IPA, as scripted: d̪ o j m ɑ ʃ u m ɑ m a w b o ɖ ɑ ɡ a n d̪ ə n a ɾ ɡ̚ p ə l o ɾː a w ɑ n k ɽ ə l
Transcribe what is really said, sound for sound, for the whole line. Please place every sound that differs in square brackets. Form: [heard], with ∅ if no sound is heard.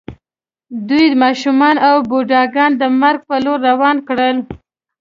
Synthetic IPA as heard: d̪ [u] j m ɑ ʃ u m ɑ [n] a w b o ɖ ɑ ɡ [ɑ] n d̪ ə [m] a ɾ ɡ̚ p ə l o ɾː a w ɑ n k ɽ ə l